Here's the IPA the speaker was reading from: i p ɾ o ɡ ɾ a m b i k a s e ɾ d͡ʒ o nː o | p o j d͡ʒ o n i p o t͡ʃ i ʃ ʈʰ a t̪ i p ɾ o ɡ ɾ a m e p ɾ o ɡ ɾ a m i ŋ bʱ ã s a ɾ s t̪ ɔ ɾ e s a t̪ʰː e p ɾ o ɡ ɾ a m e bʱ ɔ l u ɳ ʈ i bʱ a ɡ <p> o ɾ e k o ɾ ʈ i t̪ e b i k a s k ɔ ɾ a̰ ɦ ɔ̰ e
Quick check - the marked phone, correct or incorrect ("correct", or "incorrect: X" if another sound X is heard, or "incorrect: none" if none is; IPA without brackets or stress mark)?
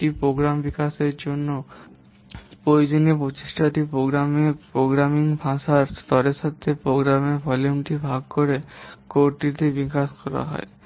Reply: incorrect: k